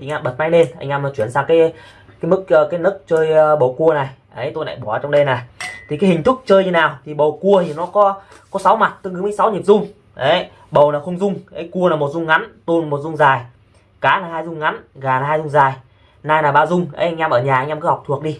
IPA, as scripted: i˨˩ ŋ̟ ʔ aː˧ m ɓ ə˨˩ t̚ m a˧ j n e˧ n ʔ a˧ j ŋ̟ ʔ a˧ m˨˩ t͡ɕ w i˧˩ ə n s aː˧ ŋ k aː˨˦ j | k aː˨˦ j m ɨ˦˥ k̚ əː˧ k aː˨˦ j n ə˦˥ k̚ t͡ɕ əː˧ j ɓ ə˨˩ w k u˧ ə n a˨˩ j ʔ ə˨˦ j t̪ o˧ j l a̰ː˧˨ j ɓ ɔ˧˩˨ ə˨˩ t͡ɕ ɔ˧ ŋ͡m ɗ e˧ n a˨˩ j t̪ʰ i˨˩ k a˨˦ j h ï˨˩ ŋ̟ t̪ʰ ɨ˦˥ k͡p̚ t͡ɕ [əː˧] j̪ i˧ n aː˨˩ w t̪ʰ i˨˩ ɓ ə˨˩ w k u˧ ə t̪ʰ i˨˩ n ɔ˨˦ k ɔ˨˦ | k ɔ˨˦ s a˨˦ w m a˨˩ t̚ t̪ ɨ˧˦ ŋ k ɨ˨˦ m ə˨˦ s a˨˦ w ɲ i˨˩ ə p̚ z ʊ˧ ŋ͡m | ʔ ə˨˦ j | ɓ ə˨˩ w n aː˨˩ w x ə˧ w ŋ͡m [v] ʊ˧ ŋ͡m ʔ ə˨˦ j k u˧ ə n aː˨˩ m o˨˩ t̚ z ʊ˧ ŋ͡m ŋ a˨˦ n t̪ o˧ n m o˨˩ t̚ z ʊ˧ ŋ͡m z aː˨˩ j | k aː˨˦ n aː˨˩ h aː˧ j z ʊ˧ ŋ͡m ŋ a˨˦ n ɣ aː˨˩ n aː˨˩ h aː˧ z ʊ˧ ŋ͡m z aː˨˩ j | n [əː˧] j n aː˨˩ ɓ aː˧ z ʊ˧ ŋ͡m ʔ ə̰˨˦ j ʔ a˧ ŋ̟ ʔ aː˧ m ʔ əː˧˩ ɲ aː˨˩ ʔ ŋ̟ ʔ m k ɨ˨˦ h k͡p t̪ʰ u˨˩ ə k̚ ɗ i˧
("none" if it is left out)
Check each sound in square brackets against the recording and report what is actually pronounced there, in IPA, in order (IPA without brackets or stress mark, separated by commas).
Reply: əː˧, z, aː˧